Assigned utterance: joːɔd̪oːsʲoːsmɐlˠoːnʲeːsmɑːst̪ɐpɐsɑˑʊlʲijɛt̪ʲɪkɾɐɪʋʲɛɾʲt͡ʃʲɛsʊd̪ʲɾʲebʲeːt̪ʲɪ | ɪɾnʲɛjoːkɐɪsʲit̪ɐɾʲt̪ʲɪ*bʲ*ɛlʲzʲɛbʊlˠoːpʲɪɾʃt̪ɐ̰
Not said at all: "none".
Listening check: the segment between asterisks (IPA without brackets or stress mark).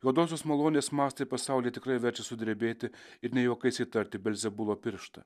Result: bʲ